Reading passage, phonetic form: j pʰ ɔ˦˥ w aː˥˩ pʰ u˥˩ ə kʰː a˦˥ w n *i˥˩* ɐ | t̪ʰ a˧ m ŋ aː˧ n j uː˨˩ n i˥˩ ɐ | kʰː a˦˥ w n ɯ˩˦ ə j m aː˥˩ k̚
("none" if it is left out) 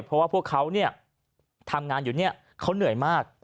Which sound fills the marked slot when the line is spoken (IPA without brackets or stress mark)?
i˥˩